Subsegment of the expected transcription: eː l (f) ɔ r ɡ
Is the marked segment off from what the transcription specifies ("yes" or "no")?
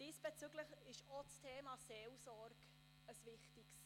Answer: yes